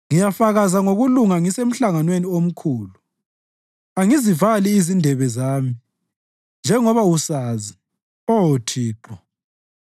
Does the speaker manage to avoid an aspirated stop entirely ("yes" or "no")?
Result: no